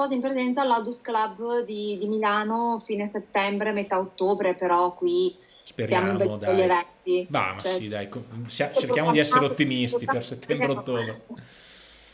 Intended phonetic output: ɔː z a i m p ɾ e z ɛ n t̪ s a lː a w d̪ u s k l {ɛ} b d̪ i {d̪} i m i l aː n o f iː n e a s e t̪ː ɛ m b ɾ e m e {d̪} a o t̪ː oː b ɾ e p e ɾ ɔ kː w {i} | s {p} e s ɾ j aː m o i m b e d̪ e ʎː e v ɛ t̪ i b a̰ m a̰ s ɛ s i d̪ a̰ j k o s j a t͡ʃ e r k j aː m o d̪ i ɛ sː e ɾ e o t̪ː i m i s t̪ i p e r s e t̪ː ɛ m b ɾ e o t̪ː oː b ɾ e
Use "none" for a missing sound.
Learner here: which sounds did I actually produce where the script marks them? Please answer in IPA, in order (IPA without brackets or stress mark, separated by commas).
a, d̪, t̪, i, p